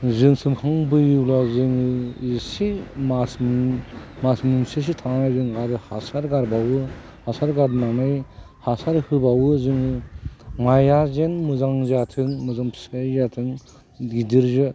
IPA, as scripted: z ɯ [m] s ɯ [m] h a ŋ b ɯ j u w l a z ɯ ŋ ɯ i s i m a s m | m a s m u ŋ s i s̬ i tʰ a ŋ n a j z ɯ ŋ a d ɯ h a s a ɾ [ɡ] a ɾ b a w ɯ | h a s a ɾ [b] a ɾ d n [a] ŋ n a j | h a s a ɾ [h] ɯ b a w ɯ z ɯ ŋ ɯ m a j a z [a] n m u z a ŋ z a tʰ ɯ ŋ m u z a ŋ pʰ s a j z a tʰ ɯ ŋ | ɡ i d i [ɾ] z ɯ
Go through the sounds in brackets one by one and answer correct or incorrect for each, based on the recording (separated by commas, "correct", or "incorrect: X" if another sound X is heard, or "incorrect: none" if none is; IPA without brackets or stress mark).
incorrect: ŋ, correct, correct, incorrect: ɡ, correct, correct, incorrect: e, correct